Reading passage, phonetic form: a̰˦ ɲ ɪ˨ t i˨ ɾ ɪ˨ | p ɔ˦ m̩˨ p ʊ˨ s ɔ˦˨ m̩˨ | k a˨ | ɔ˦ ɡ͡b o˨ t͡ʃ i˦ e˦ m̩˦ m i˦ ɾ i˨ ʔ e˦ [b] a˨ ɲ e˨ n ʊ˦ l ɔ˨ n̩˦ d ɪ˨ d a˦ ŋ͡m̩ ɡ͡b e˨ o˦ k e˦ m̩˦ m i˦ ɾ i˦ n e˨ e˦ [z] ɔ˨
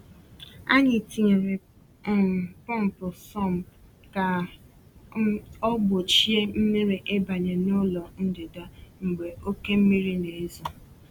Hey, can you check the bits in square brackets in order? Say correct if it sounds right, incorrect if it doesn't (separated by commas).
correct, correct